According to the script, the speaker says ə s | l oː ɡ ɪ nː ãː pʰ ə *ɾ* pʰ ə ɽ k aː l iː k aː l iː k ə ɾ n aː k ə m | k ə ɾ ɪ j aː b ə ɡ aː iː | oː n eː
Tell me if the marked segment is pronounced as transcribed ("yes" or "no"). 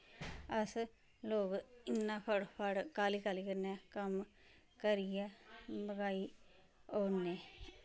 no